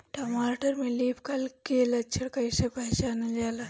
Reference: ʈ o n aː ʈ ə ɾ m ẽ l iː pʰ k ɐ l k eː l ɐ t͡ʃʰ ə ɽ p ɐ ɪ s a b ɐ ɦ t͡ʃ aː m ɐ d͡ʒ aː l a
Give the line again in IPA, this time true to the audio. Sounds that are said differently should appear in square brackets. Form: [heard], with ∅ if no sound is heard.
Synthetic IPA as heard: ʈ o [m] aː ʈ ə ɾ m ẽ l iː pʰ k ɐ l k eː l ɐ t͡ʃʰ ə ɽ [k] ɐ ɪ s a [p] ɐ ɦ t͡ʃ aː [n] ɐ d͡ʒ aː l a